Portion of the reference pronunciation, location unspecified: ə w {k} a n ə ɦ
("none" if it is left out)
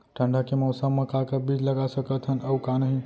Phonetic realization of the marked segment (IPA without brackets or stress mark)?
k